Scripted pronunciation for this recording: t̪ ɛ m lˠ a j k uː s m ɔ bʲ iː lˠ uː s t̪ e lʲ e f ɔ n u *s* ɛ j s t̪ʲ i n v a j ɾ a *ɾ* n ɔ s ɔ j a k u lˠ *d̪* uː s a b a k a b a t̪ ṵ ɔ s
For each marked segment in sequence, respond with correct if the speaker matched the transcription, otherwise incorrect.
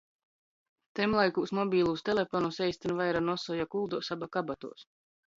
correct, incorrect, correct

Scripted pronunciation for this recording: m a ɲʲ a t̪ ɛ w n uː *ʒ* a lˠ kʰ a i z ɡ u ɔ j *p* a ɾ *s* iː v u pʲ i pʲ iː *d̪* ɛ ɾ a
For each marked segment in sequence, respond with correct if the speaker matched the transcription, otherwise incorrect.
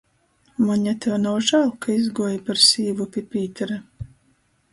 correct, correct, correct, incorrect

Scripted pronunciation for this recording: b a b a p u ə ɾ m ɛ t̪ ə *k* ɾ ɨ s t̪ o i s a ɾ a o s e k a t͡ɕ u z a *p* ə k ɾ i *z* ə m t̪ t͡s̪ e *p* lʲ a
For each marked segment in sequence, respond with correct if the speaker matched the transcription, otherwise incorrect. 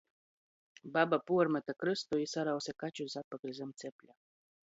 correct, correct, correct, correct

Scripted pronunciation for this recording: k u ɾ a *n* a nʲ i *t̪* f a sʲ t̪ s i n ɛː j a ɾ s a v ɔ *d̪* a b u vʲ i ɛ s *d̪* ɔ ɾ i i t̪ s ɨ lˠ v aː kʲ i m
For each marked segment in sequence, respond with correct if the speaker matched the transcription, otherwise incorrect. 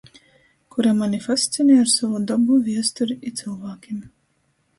incorrect, incorrect, correct, incorrect

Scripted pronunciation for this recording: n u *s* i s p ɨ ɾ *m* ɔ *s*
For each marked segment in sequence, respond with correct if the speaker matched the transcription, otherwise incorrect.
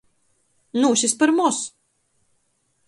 incorrect, correct, correct

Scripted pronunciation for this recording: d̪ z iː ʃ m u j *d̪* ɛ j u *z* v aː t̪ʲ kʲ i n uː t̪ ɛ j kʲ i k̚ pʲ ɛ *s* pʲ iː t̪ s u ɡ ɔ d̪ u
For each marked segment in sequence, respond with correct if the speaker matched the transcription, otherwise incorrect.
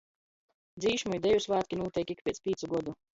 correct, incorrect, correct

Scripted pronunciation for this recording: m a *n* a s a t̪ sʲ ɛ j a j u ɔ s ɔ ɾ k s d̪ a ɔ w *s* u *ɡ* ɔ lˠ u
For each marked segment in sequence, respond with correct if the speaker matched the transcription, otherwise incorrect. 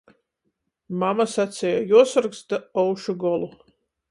incorrect, incorrect, correct

